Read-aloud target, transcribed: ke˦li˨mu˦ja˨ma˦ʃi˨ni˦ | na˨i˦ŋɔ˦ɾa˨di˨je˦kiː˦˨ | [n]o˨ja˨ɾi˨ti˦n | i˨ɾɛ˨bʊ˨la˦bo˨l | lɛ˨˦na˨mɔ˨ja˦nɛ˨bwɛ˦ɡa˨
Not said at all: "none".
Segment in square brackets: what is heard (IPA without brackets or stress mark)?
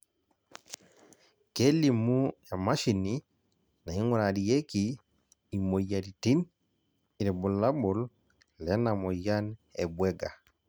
m